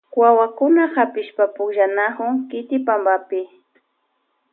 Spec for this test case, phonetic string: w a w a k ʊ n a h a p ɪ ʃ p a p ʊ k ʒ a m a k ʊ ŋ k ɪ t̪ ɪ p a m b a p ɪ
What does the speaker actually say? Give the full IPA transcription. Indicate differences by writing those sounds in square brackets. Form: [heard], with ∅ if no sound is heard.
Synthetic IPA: w a w a k ʊ n a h a p ɪ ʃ p a p ʊ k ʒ a [n] a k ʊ ŋ k ɪ t̪ ɪ p a m b a p ɪ